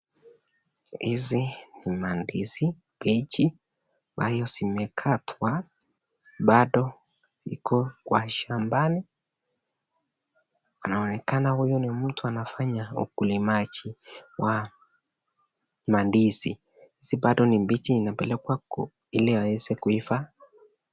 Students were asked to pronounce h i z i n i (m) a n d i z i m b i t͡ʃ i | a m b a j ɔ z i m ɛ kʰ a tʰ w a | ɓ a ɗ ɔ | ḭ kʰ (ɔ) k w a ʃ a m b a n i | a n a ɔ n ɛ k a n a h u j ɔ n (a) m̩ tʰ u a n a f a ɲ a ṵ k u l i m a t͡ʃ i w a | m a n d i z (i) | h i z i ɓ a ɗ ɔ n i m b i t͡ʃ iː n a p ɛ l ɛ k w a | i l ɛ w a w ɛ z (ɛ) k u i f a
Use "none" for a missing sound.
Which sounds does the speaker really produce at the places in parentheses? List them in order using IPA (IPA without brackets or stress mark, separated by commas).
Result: m, ɔ, i, i, ɛ